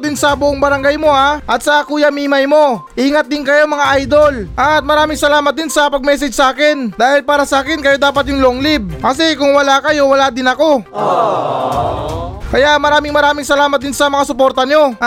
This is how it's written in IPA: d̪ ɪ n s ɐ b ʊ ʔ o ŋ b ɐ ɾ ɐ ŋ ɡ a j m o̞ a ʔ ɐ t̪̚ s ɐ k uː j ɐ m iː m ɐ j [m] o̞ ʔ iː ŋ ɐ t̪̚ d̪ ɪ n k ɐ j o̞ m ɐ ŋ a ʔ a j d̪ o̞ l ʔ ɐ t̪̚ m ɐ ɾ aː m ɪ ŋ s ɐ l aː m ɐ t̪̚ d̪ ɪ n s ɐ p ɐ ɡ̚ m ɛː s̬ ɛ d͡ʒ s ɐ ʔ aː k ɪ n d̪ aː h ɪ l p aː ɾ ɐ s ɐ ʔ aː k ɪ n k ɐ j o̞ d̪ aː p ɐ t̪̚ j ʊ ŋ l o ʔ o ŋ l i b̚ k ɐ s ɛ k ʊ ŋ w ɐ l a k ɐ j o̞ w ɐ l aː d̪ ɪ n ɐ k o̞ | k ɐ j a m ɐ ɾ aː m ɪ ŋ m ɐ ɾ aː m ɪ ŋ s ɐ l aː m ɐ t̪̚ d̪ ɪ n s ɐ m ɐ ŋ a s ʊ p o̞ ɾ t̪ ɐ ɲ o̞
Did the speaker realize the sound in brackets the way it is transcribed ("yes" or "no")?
yes